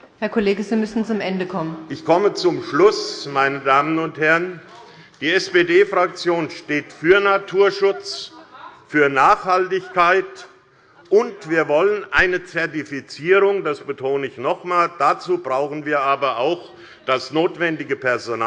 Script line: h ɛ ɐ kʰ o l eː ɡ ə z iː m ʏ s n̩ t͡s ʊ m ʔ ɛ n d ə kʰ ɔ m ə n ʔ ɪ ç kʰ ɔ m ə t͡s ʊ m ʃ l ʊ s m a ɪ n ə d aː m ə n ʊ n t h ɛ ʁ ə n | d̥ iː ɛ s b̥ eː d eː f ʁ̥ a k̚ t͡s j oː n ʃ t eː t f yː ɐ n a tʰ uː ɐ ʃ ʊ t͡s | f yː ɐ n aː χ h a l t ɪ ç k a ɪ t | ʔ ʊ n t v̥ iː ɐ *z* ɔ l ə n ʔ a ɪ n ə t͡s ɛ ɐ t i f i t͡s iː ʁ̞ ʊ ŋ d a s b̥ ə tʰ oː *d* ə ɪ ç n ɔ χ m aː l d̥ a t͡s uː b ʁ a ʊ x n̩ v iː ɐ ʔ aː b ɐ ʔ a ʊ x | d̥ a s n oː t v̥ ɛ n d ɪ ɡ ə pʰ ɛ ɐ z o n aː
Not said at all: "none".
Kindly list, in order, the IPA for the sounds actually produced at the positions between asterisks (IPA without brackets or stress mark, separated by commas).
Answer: v, n